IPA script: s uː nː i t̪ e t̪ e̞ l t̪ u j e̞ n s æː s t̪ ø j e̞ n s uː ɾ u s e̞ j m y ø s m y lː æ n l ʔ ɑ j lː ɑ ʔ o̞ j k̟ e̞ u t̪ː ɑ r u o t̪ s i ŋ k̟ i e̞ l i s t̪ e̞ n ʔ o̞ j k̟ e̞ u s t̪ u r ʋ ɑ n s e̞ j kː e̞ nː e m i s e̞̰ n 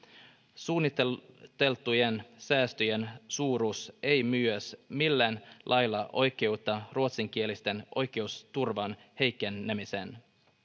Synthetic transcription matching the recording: s uː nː i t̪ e t̪ e̞ l t̪ u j e̞ n s æː s t̪ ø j e̞ n s uː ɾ u s e̞ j m y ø s m i lː æ n l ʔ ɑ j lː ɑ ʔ o̞ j k̟ e̞ u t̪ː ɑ r u o t̪ s i ŋ k̟ i e̞ l i s t̪ e̞ n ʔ o̞ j k̟ e̞ u s t̪ u r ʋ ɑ n h e̞ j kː e̞ nː e m i s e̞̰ n

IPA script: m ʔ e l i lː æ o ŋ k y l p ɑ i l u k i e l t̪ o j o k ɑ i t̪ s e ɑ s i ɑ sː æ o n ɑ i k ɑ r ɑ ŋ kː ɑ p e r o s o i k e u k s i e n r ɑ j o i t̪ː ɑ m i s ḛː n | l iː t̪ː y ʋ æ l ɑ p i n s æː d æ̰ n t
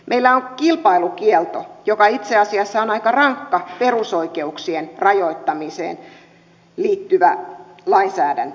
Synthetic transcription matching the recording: m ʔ e i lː æ o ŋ k i l p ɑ i l u k i e l t̪ o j o k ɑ i t̪ s e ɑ s i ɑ sː æ o n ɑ i k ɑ r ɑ ŋ kː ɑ p e r u s o i k e u k s i e n r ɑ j o i t̪ː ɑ m i s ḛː n | l iː t̪ː y ʋ æ l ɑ i n s æː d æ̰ n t

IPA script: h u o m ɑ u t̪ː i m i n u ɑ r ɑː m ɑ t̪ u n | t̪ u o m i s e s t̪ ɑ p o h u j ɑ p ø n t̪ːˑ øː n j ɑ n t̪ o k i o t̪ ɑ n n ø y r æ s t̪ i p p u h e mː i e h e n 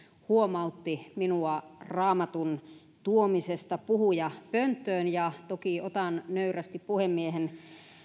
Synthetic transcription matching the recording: h u o m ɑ u t̪ː i m i n u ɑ r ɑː m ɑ t̪ u n | t̪ u o m i s e s t̪ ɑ p u h u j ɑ p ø n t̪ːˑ øː n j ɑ t̪ o k i o t̪ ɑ n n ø y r æ s t̪ i p p u h e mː i e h e n

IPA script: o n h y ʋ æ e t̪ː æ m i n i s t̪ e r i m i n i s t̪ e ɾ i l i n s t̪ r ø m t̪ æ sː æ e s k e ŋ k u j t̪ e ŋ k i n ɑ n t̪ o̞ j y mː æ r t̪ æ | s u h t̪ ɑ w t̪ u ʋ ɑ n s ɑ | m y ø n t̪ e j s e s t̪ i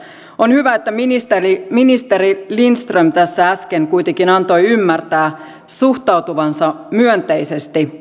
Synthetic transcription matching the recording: o n h y ʋ æ e t̪ː æ m i n i s t̪ e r i m i n i s t̪ e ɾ i l i n s t̪ r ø m t̪ æ sː æ æ s k e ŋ k u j t̪ e ŋ k i n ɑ n t̪ o̞ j y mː æ r t̪ æː | s u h t̪ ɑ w t̪ u ʋ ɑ n s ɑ | m y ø n t̪ e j s e s t̪ i

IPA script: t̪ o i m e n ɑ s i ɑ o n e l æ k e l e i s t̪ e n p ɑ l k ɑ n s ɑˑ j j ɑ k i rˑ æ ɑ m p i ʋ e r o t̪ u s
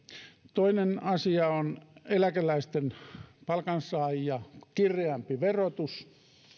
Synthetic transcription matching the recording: t̪ o i n e n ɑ s i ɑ o n e l æ k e l æ i s t̪ e n p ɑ l k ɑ n s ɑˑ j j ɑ k i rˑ e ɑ m p i ʋ e r o t̪ u s

